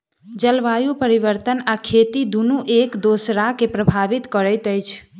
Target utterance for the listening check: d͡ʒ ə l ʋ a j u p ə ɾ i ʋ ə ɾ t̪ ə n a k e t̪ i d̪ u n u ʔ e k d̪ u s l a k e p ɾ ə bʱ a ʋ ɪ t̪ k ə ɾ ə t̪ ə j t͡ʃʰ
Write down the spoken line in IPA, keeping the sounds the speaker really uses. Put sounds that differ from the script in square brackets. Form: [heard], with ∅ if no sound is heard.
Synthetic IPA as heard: d͡ʒ ə l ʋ a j u p ə ɾ i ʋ ə ɾ t̪ ə n a [kʰ] e t̪ i d̪ u n u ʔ e k d̪ [o] s [ɾ] a k e p ɾ ə bʱ a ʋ [i] t̪ k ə ɾ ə t̪ ə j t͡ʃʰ